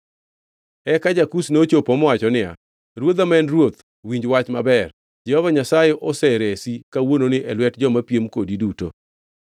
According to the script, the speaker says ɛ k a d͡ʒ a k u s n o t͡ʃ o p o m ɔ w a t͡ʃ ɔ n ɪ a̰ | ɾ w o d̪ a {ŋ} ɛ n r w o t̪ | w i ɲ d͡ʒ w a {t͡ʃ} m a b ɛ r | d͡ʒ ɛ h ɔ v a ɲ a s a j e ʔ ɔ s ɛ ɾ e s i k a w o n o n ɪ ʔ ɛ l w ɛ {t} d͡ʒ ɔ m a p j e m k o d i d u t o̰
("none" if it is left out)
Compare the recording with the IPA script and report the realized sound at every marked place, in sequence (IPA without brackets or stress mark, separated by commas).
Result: m, t͡ʃ, t